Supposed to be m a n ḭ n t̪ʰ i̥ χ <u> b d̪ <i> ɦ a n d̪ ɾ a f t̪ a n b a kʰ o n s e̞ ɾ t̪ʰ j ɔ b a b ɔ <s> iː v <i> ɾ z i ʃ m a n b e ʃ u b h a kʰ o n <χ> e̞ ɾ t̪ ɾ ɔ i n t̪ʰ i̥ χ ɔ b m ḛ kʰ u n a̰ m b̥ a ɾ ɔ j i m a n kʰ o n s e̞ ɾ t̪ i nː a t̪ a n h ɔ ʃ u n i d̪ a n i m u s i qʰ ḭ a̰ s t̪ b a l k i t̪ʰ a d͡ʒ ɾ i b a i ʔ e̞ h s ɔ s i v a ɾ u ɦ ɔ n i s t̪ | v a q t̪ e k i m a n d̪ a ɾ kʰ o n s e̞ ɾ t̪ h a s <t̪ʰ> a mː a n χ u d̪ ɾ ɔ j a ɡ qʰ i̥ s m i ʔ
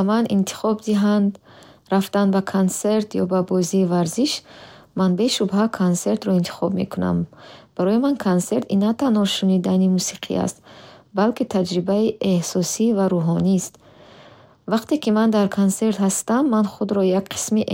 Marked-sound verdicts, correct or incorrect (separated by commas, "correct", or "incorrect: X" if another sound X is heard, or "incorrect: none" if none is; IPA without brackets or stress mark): incorrect: ɔ, correct, incorrect: z, incorrect: a, incorrect: s, incorrect: t̪